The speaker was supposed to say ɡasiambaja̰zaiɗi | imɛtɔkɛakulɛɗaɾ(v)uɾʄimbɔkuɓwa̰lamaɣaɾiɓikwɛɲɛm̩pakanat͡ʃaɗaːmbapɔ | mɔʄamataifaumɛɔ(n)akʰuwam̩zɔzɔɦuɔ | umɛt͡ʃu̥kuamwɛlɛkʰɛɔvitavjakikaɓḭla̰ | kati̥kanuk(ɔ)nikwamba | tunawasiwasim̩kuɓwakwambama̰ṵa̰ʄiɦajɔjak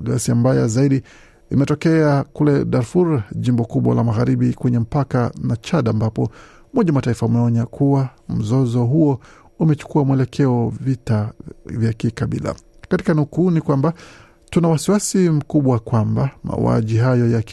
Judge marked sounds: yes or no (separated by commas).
no, no, no